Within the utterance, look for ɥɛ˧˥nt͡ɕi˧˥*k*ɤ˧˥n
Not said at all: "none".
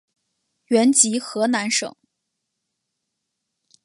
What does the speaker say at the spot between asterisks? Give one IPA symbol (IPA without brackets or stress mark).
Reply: x